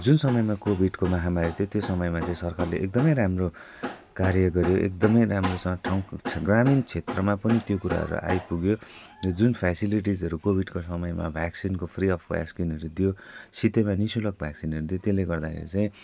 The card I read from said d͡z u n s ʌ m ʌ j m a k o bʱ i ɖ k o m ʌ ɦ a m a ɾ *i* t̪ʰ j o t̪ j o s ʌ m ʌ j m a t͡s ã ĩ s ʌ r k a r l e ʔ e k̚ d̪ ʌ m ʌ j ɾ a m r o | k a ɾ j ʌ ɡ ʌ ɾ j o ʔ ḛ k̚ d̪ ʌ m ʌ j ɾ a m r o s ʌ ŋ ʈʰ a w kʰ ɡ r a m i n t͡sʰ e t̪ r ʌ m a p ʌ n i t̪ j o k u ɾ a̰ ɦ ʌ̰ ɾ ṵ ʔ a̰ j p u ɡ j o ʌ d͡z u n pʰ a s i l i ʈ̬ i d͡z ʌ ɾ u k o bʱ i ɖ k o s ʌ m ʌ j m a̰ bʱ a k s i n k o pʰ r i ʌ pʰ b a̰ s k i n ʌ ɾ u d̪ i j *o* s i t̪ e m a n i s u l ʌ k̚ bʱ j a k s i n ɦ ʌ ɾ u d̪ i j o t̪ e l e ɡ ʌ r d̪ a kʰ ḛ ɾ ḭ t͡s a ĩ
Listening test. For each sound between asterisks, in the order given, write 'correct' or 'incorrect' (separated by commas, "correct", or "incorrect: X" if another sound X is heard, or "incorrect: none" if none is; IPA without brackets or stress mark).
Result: correct, correct